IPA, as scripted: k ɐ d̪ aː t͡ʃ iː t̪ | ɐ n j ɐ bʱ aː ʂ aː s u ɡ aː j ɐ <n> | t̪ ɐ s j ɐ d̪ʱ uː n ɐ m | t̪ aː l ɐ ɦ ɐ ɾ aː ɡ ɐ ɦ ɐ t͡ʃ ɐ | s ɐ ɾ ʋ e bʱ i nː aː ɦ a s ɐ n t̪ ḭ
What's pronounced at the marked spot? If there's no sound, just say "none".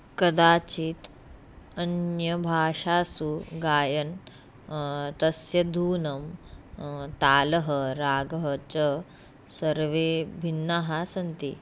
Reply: n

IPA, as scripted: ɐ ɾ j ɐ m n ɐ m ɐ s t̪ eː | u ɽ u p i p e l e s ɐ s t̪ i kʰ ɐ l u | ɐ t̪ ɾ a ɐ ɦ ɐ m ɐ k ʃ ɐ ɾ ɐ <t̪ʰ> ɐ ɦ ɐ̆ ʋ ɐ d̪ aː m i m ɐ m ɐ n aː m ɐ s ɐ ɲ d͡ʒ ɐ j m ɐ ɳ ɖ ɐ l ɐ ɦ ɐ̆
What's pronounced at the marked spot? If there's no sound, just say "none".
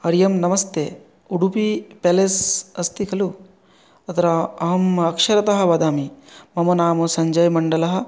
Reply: t̪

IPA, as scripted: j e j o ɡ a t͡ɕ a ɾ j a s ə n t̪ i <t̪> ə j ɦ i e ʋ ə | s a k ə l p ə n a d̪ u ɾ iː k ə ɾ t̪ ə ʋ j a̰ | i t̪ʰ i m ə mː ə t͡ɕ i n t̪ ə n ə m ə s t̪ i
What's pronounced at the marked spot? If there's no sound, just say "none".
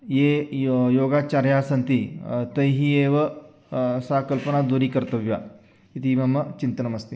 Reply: t̪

